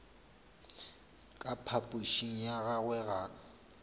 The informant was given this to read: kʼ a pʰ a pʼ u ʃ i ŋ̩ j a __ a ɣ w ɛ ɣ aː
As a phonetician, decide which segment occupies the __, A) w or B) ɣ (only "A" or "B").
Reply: B